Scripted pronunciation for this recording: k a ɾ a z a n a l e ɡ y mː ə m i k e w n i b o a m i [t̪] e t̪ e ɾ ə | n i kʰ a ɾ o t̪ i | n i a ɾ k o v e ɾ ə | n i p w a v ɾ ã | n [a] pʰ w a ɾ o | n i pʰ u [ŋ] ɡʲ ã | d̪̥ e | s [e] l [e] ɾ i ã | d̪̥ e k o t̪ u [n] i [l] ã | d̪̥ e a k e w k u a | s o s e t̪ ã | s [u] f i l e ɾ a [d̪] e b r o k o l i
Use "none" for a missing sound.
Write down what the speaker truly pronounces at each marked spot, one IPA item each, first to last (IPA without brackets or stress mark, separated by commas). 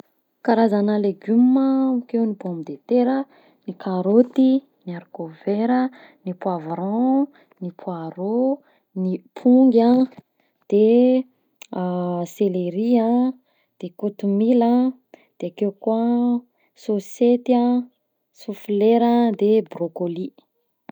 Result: d̪, i, ŋ, e, e, m, l, u, d̪